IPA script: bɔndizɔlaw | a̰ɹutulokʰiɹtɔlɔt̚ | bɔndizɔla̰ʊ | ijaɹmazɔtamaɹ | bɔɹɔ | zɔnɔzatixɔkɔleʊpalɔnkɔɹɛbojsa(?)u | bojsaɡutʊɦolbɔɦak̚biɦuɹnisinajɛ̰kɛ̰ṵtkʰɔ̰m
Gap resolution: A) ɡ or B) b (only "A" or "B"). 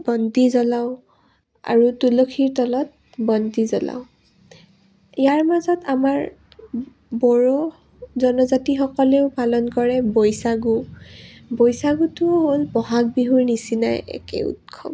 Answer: A